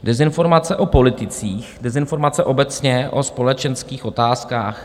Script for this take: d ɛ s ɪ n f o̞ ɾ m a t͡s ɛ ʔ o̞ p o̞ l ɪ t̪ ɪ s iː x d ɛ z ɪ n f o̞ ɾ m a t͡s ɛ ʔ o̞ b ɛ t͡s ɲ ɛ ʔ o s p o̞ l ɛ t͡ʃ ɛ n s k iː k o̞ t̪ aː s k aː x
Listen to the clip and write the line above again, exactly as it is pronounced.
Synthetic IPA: d ɛ z ɪ n f o̞ ɾ m a t͡s ɛ ʔ o̞ p o̞ l ɪ t̪ ɪ t͡s iː x d ɛ z ɪ n f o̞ ɾ m a t͡s ɛ ʔ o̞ b ɛ t͡s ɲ ɛ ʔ o s p o̞ l ɛ t͡ʃ ɛ n s k iː x o̞ t̪ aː s k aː x

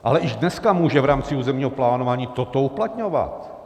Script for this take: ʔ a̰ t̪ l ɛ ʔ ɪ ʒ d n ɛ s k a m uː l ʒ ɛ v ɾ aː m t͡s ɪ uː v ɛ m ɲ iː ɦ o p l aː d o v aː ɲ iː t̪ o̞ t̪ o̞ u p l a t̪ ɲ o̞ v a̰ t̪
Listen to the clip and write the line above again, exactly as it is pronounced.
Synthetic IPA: ʔ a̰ l ɛ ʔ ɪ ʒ d n ɛ s k a m uː ʒ ɛ v ɾ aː m t͡s ɪ uː z ɛ m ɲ iː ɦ o p l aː n o v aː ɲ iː t̪ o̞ t̪ o̞ u p l a t̪ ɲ o̞ v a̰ t̪

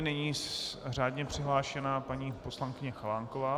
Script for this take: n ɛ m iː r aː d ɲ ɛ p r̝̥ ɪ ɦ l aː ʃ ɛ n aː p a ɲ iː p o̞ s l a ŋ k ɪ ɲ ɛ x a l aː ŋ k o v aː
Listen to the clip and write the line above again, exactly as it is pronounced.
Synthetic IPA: n ɛ ɲ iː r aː d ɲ ɛ p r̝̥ ɪ ɦ l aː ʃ ɛ n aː p a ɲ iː p o̞ s l a ŋ k ɪ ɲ ɛ x a l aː ŋ k o v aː

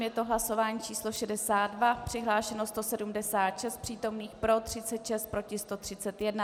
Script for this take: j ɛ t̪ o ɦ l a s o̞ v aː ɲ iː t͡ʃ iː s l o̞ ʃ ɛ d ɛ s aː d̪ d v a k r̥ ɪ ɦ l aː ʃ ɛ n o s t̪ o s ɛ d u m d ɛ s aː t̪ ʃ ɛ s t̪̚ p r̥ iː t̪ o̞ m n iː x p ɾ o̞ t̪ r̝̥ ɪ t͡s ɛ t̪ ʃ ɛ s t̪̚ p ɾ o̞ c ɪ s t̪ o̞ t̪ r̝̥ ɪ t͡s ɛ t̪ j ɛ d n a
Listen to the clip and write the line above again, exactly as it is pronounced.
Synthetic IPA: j ɛ t̪ o ɦ l a s o̞ v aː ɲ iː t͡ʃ iː s l o̞ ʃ ɛ d ɛ s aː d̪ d v a p r̥ ɪ ɦ l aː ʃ ɛ n o s t̪ o s ɛ d u m d ɛ s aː t̪ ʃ ɛ s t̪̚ p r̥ iː t̪ o̞ m n iː x p ɾ o̞ t̪ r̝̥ ɪ t͡s ɛ t̪ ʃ ɛ s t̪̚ p ɾ o̞ c ɪ s t̪ o̞ t̪ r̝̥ ɪ t͡s ɛ t̪ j ɛ d n a

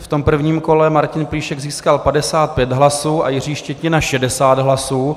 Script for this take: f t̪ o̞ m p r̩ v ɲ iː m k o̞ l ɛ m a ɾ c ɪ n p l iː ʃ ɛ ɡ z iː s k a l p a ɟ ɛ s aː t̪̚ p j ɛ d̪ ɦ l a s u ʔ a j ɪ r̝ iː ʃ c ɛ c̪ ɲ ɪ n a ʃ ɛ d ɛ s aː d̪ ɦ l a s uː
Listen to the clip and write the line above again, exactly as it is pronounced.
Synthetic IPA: f t̪ o̞ m p r̩ v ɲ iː m k o̞ l ɛ m a ɾ c ɪ n p l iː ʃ ɛ ɡ z iː s k a l p a d ɛ s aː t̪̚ p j ɛ d̪ ɦ l a s uː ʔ a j ɪ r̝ iː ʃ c ɛ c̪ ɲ ɪ n a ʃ ɛ d ɛ s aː d̪ ɦ l a s uː

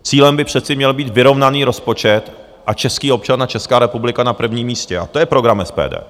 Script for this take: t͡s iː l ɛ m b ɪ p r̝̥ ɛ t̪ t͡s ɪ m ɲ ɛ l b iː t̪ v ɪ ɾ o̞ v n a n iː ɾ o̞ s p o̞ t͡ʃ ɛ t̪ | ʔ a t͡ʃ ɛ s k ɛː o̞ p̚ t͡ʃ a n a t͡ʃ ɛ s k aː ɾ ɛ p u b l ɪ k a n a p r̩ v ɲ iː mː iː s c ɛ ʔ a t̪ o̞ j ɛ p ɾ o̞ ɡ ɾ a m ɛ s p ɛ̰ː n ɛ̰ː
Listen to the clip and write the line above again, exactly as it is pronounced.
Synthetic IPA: t͡s iː l ɛ m b ɪ p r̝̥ ɛ t̪ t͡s ɪ m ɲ ɛ l b iː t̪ v ɪ ɾ o̞ v n a n iː ɾ o̞ s p o̞ t͡ʃ ɛ t̪ | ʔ a t͡ʃ ɛ s k iː o̞ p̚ t͡ʃ a n a t͡ʃ ɛ s k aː ɾ ɛ p u b l ɪ k a n a p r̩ v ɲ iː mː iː s c ɛ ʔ a t̪ o̞ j ɛ p ɾ o̞ ɡ ɾ a m ɛ s p ɛ̰ː d ɛ̰ː

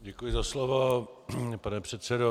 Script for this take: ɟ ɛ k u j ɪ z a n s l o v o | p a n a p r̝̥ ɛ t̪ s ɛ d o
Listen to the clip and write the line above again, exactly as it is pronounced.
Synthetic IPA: ɟ ɛ k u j ɪ z a s l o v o | p a n ɛ p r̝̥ ɛ t̪ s ɛ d o

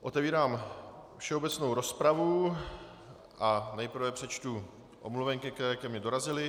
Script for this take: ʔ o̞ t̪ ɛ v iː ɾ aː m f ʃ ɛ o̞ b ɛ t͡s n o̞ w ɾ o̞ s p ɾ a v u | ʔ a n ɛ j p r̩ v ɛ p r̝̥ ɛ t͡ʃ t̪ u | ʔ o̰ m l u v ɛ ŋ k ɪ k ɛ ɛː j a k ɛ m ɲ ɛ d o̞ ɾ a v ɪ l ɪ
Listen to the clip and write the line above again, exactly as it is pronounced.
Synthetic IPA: ʔ o̞ t̪ ɛ v iː ɾ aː m f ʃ ɛ o̞ b ɛ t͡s n o̞ w ɾ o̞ s p ɾ a v u | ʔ a n ɛ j p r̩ v ɛ p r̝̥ ɛ t͡ʃ t̪ u | ʔ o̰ m l u v ɛ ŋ k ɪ k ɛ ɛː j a k ɛ m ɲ ɛ d o̞ ɾ a z ɪ l ɪ

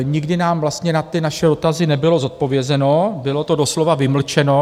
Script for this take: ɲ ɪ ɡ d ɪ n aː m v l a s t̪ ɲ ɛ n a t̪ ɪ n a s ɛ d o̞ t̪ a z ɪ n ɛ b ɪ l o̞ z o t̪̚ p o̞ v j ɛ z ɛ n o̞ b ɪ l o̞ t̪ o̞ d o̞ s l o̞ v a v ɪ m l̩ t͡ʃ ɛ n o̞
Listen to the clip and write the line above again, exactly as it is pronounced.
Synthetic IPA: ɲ ɪ ɡ d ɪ n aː m v l a s t̪ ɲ ɛ n a t̪ ɪ n a ʃ ɛ d o̞ t̪ a z ɪ n ɛ b ɪ l o̞ z o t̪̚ p o̞ v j ɛ z ɛ n o̞ b ɪ l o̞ t̪ o̞ d o̞ s l o̞ v a v ɪ m l̩ t͡ʃ ɛ n o̞

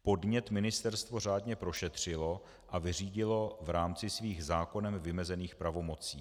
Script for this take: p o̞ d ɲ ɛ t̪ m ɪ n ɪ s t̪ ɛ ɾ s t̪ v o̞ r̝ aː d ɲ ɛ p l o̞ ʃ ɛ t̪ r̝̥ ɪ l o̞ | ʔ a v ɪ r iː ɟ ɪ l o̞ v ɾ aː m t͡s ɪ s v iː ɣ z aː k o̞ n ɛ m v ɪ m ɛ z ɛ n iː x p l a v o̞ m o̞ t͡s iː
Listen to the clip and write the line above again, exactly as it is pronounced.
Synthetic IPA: p o̞ d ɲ ɛ t̪ m ɪ n ɪ s t̪ ɛ ɾ s t̪ v o̞ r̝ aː d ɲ ɛ p ɾ o̞ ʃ ɛ t̪ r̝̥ ɪ l o̞ | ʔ a v ɪ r iː ɟ ɪ l o̞ v ɾ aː m t͡s ɪ s v iː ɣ z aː k o̞ n ɛ m v ɪ m ɛ z ɛ n iː x p ɾ a v o̞ m o̞ t͡s iː

